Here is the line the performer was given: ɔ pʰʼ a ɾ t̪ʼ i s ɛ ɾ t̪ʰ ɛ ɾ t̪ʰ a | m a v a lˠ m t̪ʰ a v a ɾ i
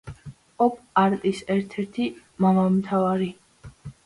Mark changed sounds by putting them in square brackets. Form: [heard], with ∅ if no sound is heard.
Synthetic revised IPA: ɔ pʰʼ a ɾ t̪ʼ i s ɛ ɾ t̪ʰ ɛ ɾ t̪ʰ [i] | m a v a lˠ m t̪ʰ a v a ɾ i